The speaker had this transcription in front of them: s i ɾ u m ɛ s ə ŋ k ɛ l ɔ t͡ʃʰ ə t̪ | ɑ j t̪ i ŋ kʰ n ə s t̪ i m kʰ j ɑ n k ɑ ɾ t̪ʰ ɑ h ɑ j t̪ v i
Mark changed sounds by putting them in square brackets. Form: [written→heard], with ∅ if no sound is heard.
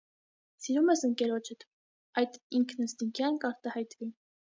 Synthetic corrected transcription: s i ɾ u m ɛ s ə ŋ k ɛ [l→ɾ] ɔ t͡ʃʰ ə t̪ | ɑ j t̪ i ŋ kʰ n ə s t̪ i [m→ŋ] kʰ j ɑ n k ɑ ɾ [t̪ʰ→t̪] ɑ h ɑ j t̪ v i